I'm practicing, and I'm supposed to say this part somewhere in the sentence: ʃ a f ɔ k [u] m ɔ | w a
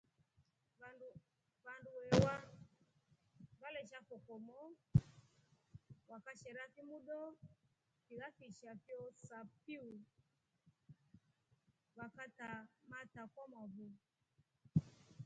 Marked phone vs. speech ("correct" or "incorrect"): incorrect